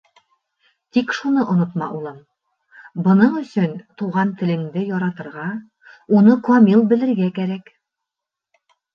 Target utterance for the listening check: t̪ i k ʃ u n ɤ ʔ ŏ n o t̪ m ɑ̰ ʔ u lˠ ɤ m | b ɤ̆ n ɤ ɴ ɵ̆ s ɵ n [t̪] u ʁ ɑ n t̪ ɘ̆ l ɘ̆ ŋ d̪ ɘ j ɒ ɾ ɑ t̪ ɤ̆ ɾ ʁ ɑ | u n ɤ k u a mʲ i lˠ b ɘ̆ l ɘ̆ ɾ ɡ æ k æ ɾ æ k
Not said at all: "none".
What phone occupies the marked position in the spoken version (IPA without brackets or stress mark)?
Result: t̪